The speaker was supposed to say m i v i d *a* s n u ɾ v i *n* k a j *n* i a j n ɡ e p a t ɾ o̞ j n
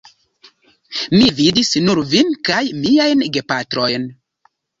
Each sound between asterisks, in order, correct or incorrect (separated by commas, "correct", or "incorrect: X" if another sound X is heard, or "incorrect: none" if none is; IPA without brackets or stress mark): incorrect: i, correct, incorrect: m